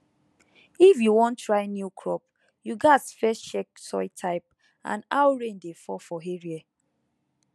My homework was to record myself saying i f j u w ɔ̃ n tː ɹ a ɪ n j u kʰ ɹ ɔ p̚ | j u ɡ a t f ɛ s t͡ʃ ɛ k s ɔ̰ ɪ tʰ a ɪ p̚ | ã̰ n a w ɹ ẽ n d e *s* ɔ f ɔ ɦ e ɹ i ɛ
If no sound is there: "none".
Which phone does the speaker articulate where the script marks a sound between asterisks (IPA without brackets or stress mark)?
f